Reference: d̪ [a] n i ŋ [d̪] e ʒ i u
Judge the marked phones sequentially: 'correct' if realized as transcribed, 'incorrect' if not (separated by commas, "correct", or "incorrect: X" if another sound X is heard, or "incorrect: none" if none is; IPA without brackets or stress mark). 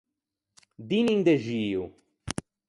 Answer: incorrect: i, correct